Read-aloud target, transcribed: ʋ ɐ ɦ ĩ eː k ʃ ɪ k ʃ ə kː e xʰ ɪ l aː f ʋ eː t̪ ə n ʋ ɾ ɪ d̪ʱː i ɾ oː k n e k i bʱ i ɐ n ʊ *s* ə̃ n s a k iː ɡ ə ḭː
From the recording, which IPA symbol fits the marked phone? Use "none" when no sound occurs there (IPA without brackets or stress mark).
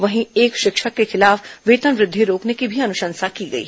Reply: ʃ